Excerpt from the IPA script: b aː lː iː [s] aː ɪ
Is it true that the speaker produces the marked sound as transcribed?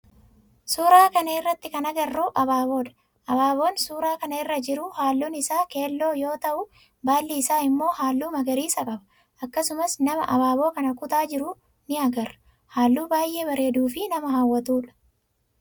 yes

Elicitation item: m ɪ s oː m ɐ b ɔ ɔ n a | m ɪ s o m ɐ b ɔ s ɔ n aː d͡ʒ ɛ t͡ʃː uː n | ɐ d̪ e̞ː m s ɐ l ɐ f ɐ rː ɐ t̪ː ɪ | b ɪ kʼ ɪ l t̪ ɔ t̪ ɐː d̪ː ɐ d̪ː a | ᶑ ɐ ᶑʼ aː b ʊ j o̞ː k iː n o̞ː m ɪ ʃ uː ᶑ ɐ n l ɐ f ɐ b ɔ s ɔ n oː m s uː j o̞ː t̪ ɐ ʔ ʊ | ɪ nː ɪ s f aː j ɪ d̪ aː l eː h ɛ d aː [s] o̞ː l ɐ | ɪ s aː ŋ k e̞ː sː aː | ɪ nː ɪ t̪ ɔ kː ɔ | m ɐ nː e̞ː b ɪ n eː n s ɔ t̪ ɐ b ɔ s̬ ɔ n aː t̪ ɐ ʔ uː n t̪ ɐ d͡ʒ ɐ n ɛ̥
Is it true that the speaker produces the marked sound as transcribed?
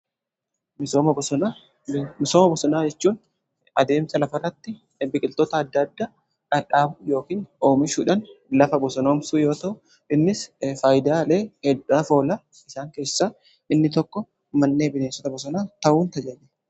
no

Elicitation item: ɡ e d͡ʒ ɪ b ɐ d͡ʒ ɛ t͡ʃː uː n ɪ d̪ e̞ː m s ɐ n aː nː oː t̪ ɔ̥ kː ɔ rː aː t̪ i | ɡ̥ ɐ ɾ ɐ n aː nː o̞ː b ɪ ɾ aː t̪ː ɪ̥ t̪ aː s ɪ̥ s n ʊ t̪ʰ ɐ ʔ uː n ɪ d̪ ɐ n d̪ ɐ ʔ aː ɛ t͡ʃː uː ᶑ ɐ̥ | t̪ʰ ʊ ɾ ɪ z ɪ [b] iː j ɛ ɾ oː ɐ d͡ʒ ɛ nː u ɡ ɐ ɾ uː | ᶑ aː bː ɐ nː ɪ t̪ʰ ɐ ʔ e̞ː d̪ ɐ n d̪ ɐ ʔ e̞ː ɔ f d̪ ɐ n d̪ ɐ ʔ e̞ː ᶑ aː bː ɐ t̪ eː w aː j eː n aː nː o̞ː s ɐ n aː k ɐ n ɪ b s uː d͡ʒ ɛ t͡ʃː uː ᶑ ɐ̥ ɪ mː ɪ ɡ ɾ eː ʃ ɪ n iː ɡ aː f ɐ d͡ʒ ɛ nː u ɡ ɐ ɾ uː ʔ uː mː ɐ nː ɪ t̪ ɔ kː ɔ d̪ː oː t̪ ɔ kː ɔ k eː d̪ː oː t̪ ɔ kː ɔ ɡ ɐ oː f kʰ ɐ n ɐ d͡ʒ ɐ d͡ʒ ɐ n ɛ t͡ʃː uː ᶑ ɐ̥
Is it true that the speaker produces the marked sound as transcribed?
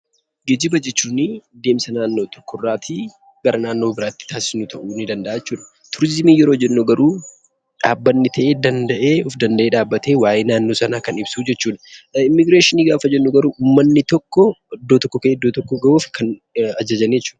no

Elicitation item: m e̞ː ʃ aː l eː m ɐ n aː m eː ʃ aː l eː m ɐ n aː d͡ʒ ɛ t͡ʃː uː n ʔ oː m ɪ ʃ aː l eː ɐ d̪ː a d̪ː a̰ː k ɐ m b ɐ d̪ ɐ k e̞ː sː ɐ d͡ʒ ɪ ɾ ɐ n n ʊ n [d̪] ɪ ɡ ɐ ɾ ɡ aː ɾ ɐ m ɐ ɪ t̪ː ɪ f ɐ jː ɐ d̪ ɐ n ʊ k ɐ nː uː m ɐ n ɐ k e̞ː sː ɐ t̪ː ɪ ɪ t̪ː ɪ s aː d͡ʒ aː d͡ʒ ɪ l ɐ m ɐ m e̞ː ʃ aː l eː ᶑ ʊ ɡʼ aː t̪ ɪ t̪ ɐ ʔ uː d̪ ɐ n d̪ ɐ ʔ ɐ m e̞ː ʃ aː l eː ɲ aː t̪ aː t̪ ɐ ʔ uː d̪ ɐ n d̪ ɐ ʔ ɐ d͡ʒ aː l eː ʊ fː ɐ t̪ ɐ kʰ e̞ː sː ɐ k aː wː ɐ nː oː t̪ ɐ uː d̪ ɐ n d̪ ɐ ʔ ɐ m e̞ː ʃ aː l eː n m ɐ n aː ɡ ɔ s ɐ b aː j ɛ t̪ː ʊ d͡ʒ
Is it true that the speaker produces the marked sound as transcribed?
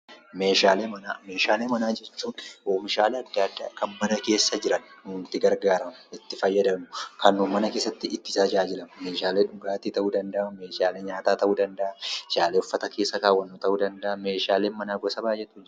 no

